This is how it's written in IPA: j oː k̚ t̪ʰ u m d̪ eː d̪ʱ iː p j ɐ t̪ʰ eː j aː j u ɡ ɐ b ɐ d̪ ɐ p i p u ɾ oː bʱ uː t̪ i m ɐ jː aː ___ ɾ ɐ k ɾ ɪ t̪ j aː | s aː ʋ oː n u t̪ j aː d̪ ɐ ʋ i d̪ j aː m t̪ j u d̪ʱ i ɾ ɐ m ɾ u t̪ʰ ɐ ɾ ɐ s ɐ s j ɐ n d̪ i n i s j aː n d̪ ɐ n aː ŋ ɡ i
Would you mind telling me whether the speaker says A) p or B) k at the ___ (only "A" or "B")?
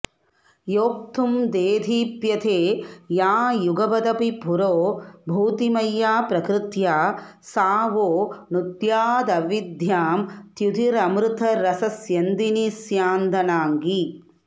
A